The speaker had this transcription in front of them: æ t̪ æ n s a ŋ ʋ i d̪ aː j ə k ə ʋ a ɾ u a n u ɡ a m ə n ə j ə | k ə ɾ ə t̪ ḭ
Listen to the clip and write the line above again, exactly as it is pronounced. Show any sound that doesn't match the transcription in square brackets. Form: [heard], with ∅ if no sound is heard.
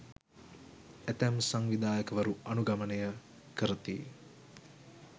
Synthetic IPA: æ t̪ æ [m] s a ŋ ʋ i d̪ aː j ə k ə ʋ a ɾ u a n u ɡ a m ə n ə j ə | k ə ɾ ə t̪ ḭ